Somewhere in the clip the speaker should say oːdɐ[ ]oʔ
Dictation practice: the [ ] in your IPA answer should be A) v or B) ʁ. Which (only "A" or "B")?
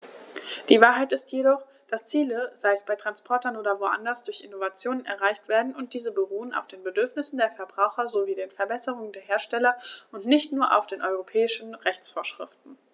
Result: A